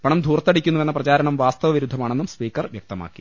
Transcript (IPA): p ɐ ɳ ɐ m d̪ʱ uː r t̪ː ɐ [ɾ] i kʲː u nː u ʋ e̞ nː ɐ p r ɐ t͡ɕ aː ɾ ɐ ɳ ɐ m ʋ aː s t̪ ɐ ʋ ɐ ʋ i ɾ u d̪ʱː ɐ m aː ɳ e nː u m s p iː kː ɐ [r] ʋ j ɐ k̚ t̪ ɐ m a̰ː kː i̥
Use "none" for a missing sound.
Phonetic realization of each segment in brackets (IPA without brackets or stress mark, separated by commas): ɽ, r